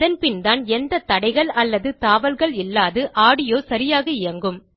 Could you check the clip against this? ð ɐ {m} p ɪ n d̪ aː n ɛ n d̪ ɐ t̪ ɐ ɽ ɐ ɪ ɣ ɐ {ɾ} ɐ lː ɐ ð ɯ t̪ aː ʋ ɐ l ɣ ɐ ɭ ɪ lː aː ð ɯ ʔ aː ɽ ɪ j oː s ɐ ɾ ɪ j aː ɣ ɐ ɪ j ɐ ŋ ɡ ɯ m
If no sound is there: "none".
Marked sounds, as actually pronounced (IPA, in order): n, ɭ

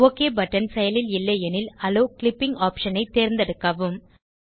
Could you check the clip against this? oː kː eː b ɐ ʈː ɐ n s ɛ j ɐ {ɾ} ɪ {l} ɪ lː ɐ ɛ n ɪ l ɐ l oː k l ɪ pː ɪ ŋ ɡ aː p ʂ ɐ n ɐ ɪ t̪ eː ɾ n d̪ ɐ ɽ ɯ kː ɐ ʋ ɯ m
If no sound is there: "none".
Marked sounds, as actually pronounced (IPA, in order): l, l

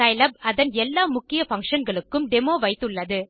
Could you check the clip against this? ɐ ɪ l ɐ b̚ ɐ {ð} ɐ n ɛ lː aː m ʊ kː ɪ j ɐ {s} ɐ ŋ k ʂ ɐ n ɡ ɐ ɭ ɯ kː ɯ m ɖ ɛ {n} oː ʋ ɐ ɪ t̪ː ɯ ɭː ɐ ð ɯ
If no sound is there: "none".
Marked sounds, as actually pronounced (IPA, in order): ð, f, m

